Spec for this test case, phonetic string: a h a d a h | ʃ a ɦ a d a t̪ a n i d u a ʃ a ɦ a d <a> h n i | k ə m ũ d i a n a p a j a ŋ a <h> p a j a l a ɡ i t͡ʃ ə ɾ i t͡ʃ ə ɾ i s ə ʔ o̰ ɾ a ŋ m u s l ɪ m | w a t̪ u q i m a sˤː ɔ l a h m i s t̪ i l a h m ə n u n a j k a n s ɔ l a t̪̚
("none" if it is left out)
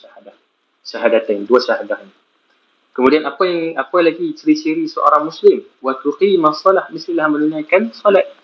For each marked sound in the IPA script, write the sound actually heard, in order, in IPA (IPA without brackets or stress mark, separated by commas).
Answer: a, none